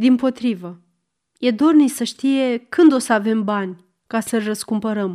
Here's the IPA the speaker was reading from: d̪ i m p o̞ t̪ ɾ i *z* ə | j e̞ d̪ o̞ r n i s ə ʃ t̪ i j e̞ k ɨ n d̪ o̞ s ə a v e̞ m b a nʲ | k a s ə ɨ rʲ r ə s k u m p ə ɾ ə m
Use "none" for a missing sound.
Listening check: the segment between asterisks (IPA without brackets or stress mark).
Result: v